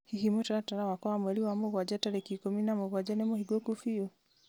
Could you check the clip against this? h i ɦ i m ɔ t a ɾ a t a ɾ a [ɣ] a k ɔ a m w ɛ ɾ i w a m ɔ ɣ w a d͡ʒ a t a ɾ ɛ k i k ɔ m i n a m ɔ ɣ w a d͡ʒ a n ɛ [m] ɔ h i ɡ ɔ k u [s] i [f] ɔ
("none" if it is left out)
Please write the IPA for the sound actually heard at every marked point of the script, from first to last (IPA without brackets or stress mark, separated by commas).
w, m, f, none